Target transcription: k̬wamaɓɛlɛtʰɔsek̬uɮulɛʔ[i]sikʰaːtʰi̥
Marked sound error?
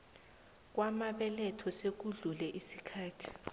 no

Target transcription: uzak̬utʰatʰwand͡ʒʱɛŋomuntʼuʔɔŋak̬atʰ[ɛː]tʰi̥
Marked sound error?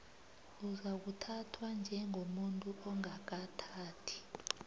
yes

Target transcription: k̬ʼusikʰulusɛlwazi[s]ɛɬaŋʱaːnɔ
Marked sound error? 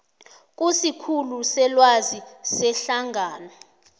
no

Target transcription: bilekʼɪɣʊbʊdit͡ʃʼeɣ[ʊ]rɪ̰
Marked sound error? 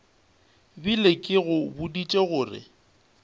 yes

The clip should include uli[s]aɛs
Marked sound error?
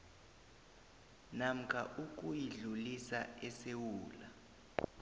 no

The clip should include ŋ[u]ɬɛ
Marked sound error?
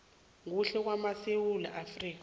no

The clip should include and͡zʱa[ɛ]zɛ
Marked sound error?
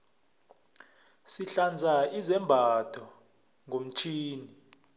yes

